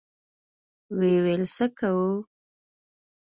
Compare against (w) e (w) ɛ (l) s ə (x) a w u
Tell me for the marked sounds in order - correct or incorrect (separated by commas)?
correct, correct, correct, incorrect